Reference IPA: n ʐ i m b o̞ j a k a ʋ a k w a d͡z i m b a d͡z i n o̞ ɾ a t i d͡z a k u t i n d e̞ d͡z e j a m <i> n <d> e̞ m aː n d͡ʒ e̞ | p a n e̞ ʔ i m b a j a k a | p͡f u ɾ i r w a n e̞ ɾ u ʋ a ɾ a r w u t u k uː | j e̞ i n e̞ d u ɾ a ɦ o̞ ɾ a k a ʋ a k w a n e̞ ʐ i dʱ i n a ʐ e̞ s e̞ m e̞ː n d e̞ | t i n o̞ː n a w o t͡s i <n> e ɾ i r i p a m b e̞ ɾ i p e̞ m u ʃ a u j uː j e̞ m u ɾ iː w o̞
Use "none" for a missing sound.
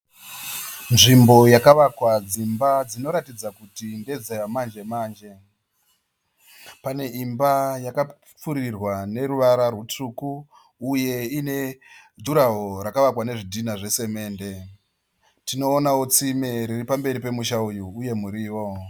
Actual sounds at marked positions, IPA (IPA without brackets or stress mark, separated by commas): a, d͡ʒ, m